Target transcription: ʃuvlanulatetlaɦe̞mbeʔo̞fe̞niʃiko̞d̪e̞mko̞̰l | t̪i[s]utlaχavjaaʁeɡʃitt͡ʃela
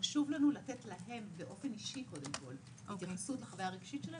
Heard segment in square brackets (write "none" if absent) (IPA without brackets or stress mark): s